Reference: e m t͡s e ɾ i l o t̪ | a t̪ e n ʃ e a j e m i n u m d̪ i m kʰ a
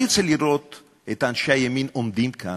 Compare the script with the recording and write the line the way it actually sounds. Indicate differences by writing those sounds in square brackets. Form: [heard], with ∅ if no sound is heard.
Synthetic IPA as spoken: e [∅] t͡s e [l] i [ɾ] o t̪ | [e] t̪ [a] n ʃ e a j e m i n [o] m d̪ i m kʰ a